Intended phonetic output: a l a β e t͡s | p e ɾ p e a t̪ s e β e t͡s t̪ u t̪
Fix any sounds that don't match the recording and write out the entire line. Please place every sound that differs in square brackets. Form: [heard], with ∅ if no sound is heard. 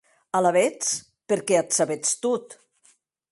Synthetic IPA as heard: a l a β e t͡s | p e ɾ [k] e a t̪ s [a] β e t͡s t̪ u t̪